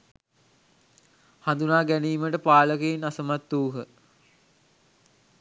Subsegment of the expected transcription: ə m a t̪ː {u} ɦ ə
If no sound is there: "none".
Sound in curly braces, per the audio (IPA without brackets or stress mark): uː